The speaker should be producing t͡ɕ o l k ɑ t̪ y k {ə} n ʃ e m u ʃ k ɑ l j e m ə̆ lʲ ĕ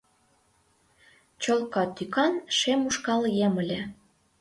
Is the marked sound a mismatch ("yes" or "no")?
yes